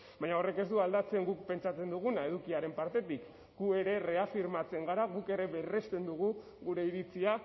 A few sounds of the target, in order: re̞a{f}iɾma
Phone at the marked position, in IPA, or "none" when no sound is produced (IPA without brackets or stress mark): f